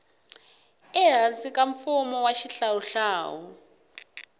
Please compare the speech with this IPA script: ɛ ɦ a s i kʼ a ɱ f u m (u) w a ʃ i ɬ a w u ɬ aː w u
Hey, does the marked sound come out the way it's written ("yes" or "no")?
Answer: no